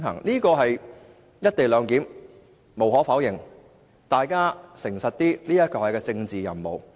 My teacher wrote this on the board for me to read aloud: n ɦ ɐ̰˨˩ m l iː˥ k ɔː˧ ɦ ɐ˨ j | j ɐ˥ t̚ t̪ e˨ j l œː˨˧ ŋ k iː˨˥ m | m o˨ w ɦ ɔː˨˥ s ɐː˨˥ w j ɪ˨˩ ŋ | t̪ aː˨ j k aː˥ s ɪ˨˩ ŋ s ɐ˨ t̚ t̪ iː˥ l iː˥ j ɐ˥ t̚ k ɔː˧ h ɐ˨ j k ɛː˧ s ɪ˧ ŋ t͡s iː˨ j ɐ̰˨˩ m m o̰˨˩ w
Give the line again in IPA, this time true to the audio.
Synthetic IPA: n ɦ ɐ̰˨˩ ŋ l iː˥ k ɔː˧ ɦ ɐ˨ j | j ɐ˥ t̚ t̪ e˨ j l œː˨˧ ŋ k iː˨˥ m | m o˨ w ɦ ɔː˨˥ f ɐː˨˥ w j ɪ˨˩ ŋ | t̪ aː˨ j k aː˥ s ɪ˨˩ ŋ s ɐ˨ t̚ t̪ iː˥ l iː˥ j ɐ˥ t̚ k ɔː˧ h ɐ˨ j k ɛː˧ t͡s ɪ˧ ŋ t͡s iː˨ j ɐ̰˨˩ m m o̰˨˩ w